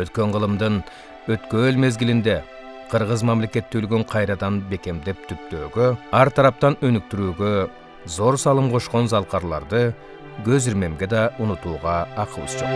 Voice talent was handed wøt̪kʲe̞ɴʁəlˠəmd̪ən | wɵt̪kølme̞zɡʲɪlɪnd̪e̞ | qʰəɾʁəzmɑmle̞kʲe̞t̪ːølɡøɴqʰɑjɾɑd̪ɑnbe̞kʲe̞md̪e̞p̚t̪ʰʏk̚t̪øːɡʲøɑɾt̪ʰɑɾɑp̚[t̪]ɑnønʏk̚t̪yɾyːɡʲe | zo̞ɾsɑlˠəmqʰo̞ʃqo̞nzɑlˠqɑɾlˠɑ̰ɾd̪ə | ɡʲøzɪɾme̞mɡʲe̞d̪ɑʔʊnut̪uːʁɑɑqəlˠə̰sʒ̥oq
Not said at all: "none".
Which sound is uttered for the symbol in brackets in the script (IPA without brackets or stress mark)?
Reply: t̪